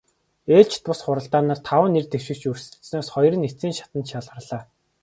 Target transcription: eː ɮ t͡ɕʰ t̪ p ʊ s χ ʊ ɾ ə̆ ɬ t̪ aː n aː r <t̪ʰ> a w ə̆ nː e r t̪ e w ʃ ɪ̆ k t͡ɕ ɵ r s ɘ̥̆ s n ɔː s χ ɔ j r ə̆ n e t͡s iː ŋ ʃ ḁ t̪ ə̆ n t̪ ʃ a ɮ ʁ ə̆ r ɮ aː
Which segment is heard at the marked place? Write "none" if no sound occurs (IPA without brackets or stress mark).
t̪ʰ